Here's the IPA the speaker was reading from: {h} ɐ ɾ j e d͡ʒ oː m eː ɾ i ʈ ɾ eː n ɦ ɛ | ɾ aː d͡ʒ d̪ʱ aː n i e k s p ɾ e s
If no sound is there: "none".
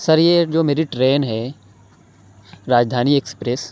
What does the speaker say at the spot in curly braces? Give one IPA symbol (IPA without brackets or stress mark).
s